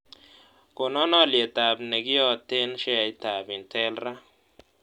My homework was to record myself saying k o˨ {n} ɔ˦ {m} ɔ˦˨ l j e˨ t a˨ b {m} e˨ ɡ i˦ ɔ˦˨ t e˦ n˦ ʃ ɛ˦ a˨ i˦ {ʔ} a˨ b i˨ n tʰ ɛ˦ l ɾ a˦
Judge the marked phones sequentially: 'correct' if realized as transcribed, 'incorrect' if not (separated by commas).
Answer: correct, incorrect, incorrect, incorrect